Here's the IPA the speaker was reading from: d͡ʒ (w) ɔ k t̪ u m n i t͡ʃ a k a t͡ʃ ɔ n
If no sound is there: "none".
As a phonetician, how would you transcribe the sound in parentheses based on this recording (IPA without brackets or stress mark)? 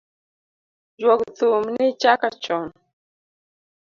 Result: w